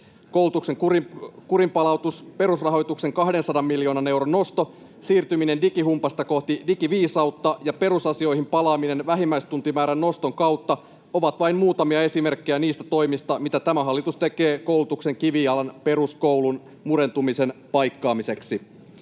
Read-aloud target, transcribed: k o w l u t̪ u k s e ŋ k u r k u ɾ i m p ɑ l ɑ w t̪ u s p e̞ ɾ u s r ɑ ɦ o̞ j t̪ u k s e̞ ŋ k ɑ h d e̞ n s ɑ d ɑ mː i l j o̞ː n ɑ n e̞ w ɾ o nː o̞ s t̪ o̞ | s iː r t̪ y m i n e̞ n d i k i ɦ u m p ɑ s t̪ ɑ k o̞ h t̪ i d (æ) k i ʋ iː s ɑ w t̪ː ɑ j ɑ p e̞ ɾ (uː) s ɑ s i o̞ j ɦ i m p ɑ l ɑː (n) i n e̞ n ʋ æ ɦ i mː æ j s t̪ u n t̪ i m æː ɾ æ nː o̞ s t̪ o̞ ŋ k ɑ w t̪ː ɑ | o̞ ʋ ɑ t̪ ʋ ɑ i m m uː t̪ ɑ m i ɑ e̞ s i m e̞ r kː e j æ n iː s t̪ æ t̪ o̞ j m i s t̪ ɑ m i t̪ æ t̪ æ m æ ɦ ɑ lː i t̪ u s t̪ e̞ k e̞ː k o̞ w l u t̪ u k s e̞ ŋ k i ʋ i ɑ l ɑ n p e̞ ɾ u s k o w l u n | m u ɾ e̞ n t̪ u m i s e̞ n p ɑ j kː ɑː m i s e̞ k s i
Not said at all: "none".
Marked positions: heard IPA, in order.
i, u, m

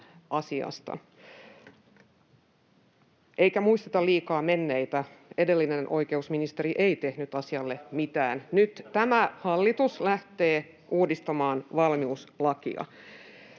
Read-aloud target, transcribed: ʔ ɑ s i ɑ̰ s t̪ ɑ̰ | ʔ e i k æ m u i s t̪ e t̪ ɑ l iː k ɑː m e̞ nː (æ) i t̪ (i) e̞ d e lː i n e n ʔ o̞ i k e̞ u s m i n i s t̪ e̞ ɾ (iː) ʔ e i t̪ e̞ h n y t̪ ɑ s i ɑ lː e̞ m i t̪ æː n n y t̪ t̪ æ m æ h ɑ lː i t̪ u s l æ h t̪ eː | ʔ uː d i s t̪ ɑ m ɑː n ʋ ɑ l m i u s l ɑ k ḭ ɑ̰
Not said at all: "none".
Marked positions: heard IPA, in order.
e, æ, i

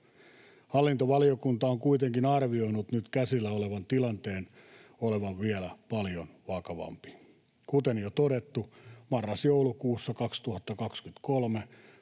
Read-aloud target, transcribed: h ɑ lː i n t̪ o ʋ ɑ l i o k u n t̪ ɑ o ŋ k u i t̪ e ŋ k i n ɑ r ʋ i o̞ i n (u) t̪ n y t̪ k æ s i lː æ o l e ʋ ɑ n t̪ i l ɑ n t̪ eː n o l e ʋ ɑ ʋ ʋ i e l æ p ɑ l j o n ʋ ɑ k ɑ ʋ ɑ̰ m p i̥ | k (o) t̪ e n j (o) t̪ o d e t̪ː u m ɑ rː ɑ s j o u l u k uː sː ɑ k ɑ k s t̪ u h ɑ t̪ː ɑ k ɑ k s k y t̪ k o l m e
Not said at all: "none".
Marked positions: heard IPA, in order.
u, u, o

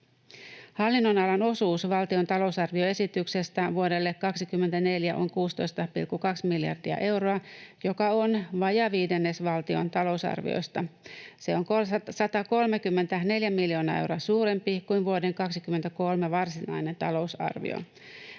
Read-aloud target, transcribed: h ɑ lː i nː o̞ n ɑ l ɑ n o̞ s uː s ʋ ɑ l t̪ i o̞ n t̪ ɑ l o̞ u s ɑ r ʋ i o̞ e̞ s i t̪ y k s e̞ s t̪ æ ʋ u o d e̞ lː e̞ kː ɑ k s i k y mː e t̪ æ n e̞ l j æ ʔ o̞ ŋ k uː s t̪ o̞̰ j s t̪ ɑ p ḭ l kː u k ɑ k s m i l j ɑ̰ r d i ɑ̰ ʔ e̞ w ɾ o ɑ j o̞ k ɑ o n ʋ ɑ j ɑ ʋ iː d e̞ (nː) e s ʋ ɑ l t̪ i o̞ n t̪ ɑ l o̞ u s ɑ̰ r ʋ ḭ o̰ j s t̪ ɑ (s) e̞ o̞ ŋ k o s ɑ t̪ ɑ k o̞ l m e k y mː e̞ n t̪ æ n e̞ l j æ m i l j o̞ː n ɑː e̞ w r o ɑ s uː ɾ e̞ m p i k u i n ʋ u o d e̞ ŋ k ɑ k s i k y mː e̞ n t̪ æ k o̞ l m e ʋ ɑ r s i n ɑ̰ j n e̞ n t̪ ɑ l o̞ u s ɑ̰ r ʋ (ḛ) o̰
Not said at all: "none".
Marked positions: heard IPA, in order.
nː, s, ḭ

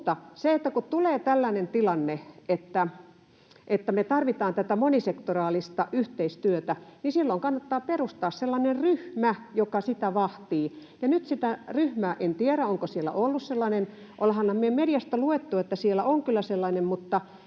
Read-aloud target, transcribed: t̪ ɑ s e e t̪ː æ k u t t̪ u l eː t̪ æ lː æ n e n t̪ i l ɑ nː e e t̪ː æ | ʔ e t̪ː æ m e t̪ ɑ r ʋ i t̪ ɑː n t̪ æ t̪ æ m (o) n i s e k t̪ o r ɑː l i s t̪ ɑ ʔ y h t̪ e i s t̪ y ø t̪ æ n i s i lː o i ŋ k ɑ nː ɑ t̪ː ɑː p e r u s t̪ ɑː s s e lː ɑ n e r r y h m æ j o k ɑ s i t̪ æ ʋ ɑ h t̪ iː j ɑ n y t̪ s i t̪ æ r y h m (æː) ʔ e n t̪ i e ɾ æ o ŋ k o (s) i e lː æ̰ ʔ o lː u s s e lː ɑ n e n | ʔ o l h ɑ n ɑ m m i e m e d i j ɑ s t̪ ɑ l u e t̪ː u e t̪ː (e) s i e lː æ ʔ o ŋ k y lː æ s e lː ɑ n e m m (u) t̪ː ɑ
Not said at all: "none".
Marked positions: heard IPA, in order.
o, æː, s, æ, u

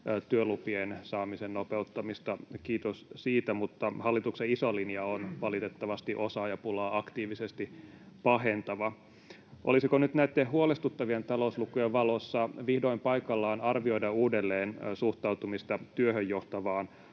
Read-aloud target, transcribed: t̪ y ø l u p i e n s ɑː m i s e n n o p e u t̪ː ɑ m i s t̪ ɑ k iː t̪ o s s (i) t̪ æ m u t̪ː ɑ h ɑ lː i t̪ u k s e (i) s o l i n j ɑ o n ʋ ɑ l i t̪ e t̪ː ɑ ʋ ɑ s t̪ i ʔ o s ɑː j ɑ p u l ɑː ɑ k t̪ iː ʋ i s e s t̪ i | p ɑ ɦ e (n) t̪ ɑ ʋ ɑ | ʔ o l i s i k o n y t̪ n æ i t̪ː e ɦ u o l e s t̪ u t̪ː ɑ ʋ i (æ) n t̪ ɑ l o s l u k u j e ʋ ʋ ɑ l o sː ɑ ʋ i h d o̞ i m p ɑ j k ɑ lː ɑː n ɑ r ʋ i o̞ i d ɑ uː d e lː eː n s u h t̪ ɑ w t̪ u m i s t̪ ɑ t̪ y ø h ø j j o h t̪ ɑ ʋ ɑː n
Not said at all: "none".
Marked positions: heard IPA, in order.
iː, i, n, e

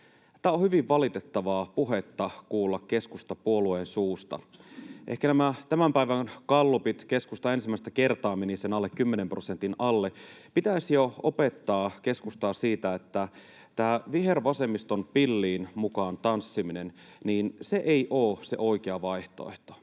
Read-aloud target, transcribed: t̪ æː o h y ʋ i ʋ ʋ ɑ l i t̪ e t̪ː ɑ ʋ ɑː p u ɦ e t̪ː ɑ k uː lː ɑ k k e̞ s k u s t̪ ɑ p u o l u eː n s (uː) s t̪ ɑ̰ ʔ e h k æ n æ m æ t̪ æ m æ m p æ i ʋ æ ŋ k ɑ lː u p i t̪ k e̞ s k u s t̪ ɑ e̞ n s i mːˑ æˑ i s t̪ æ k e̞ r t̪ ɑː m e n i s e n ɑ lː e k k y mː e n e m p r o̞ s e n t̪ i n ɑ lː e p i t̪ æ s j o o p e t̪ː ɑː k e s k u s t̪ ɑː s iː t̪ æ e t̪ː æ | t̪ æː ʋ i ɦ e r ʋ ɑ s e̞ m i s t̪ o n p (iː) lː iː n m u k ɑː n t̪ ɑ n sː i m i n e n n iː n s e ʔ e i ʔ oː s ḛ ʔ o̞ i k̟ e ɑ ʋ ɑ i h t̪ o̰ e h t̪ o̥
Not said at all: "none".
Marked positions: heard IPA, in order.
uː, i

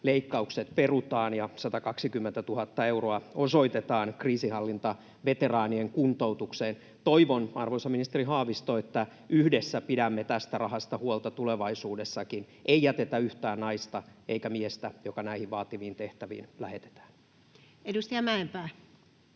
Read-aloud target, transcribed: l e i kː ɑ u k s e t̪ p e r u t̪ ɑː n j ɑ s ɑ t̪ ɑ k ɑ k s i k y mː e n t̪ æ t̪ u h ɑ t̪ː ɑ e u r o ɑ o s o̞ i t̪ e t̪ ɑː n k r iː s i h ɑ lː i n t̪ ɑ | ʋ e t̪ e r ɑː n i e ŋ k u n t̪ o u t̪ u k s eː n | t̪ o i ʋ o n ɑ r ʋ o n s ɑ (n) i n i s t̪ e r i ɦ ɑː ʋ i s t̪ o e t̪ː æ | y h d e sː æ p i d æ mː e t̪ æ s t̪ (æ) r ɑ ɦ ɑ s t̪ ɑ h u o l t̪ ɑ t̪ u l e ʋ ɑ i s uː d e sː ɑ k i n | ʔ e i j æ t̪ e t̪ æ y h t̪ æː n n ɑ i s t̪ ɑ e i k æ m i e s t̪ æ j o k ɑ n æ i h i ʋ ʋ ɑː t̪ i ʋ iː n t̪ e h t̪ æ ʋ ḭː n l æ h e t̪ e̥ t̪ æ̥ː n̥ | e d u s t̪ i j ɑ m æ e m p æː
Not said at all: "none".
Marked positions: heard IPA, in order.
m, æ

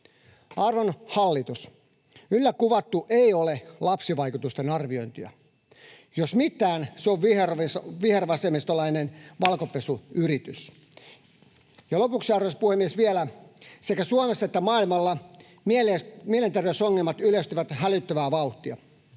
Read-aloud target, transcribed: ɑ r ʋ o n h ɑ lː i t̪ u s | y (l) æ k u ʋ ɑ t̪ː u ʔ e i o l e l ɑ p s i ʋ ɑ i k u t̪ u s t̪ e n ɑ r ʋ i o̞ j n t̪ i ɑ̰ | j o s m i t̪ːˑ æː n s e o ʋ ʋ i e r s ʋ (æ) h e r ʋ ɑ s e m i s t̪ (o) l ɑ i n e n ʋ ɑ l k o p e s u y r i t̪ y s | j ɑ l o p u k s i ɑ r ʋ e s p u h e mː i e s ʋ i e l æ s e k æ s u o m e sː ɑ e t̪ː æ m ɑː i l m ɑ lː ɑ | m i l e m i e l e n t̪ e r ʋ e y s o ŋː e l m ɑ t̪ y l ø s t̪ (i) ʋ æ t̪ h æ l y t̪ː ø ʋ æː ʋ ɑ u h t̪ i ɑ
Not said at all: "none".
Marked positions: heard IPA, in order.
lː, i, o, y

